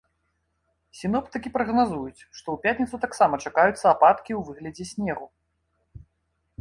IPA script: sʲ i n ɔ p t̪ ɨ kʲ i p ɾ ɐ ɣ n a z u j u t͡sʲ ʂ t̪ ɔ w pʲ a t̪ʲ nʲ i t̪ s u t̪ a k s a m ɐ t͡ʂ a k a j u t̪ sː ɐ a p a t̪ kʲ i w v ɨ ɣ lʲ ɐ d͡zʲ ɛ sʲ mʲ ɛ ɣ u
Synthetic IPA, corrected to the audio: sʲ i n ɔ p t̪ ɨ kʲ i p ɾ ɐ ɣ n a z u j u t͡sʲ ʂ t̪ ɔ w pʲ a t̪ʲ nʲ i t̪ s u t̪ a k s a m ɐ t͡ʂ a k a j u t̪ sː ɐ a p a t̪ kʲ i w v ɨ ɣ lʲ ɐ d͡zʲ ɛ sʲ nʲ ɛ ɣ u